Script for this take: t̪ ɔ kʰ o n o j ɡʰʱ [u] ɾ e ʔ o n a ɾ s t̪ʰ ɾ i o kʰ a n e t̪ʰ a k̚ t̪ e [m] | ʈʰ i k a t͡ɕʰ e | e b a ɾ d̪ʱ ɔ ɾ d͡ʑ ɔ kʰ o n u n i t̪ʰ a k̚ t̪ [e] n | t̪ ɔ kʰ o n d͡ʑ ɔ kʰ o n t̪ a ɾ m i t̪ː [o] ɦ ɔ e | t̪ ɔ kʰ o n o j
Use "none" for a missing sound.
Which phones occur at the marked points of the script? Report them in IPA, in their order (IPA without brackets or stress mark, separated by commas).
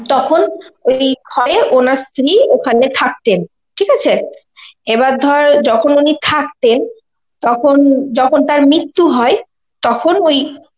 ɔ, n, e, u